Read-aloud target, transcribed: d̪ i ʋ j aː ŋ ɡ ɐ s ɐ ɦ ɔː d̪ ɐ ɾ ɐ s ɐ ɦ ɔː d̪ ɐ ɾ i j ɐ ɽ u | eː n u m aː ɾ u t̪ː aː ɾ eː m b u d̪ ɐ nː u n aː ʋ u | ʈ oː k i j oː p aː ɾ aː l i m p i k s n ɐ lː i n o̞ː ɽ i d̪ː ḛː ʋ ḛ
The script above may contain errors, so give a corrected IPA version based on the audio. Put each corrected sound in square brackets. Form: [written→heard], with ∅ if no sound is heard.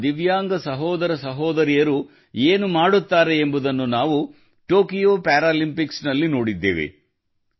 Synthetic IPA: d̪ i ʋ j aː ŋ ɡ ɐ s ɐ ɦ ɔː d̪ ɐ ɾ ɐ s ɐ ɦ ɔː d̪ ɐ ɾ i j ɐ [ɽ→ɾ] u | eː n u m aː [ɾ→ɽ] u t̪ː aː ɾ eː m b u d̪ ɐ nː u n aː ʋ u | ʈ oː k i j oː p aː ɾ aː l i m p i k s n ɐ lː i n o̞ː ɽ i d̪ː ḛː ʋ ḛ